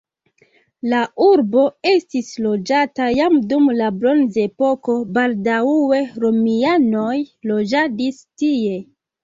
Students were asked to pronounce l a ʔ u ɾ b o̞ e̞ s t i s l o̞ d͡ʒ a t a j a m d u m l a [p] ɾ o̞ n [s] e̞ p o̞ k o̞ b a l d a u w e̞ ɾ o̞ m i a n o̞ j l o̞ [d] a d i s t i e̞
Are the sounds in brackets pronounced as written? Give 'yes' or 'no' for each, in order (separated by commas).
no, no, no